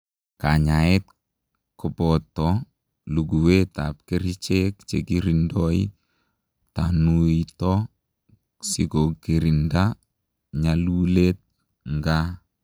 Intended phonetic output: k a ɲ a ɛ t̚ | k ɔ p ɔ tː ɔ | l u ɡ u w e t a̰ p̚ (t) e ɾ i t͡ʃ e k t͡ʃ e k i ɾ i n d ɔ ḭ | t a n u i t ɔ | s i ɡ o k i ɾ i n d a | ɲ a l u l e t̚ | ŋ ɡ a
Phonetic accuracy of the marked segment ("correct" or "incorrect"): incorrect